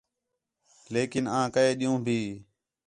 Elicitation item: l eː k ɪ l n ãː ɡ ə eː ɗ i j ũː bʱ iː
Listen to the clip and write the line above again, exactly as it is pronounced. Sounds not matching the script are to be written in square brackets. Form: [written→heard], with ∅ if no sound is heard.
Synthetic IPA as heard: l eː k ɪ [l→∅] n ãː [ɡ→k] ə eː ɗ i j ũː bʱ iː